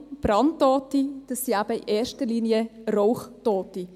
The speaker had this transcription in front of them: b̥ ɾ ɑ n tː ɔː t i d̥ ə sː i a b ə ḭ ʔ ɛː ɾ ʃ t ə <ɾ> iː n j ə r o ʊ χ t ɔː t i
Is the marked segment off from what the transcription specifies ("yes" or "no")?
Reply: yes